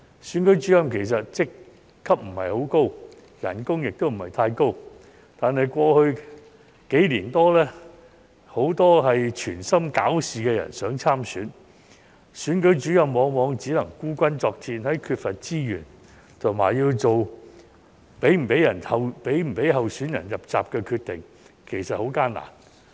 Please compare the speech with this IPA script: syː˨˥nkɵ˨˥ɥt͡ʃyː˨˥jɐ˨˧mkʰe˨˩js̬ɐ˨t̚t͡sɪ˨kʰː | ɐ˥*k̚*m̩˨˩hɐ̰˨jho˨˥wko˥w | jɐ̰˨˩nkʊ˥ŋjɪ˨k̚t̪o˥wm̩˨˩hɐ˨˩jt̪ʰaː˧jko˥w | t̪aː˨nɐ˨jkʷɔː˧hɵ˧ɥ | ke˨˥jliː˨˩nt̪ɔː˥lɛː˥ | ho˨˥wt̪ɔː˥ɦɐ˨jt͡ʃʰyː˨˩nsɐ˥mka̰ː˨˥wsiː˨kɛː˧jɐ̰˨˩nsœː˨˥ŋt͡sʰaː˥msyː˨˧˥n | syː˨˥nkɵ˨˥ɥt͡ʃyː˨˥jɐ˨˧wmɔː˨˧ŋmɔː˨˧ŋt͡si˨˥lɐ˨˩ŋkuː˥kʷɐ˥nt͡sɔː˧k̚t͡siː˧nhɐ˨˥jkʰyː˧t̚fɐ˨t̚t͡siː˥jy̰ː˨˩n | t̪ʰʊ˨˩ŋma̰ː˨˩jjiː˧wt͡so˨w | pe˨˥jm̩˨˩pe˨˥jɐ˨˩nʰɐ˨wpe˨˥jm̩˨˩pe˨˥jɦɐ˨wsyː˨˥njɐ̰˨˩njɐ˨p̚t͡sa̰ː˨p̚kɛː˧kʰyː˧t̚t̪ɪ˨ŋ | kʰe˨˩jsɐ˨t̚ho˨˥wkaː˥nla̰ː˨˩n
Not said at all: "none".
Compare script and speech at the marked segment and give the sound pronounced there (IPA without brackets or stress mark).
p̚